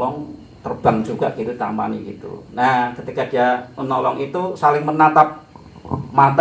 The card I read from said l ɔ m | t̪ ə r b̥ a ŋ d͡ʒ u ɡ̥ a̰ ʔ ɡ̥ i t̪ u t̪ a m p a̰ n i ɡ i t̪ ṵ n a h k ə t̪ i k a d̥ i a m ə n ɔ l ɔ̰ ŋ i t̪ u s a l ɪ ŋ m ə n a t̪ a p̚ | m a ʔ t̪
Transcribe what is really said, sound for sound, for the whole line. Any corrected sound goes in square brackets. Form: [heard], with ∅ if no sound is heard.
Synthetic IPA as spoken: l ɔ [ŋ] | t̪ ə r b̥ a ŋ d͡ʒ u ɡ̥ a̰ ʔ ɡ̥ i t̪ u t̪ a m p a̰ n i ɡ i t̪ ṵ n a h k ə t̪ i k a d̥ i a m ə n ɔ l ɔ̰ ŋ i t̪ u s a l ɪ ŋ m ə n a t̪ a p̚ | m a [∅] t̪